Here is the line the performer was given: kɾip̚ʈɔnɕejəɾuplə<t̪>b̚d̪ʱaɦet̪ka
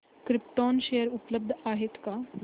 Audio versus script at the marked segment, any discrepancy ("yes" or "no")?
yes